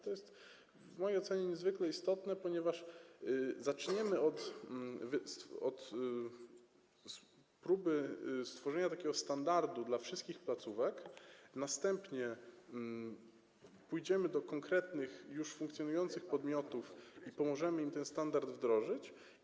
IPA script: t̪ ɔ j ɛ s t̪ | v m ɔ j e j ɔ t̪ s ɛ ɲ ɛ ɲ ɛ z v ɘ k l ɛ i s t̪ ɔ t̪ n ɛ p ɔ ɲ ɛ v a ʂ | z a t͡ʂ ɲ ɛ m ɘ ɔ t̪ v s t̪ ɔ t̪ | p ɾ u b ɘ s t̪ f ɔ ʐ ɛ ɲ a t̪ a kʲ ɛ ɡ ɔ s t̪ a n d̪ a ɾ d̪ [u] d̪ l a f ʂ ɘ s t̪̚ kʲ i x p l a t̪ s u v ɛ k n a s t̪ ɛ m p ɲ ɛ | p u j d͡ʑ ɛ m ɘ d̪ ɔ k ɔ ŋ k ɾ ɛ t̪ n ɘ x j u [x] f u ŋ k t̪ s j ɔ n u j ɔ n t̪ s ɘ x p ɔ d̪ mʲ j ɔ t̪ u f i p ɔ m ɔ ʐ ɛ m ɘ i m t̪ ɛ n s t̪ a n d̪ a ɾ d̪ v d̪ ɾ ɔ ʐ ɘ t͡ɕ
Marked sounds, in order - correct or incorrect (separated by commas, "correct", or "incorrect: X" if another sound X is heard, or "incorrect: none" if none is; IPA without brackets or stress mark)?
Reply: correct, incorrect: ʂ